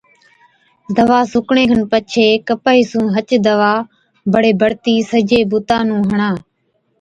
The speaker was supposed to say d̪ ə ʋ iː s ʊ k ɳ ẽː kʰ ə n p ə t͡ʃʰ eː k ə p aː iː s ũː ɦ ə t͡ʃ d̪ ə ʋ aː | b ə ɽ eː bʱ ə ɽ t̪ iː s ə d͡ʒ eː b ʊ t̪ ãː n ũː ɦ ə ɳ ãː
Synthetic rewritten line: d̪ ə ʋ aː s ʊ k ɳ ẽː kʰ ə n p ə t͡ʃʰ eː k ə p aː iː s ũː ɦ ə t͡ʃ d̪ ə ʋ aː | b ə ɽ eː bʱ ə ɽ t̪ iː s ə d͡ʒ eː b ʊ t̪ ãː n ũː ɦ ə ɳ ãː

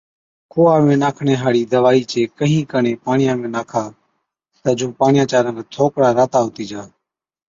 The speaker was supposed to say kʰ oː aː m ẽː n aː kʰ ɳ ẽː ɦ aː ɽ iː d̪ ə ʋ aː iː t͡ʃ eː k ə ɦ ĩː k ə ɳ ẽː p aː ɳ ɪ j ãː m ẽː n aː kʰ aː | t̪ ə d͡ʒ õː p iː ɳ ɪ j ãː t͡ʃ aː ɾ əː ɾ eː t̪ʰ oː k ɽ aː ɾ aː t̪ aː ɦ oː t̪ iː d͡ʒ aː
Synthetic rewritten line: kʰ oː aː m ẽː n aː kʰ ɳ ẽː ɦ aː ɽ iː d̪ ə ʋ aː iː t͡ʃ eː k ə ɦ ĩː k ə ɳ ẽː p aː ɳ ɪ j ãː m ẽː n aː kʰ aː | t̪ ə d͡ʒ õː p aː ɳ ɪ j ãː t͡ʃ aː ɾ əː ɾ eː t̪ʰ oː k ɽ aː ɾ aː t̪ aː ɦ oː t̪ iː d͡ʒ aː

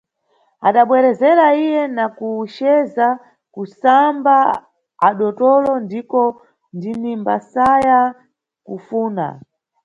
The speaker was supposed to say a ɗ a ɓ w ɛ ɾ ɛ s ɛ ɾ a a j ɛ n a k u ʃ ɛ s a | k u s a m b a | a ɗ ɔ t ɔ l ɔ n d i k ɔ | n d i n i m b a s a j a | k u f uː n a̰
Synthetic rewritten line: a ɗ a ɓ w ɛ ɾ ɛ z ɛ ɾ a i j ɛ n a k u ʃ ɛ z a | k u s a m b a | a ɗ ɔ t ɔ l ɔ n d i k ɔ | n d i n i m b a s a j a | k u f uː n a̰

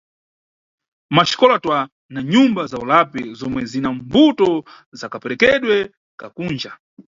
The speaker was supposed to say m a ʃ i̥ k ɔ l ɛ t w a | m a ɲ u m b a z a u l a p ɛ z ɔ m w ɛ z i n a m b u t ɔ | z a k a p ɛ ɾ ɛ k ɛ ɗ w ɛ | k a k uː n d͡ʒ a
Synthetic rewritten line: m a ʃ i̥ k ɔ l a t w a | n a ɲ u m b a z a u l a p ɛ z ɔ m w ɛ z i n a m b u t ɔ | z a k a p ɛ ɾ ɛ k ɛ ɗ w ɛ | k a k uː n d͡ʒ a

